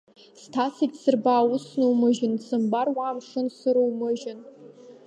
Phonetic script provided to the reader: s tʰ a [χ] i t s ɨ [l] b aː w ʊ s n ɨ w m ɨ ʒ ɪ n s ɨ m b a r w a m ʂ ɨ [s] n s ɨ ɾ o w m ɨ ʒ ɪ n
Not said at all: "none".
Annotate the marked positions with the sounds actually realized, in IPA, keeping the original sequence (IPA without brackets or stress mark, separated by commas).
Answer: s, r, none